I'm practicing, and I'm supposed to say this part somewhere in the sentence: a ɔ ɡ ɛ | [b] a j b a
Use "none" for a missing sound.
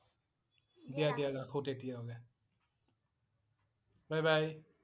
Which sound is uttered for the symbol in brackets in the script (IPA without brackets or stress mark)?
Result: b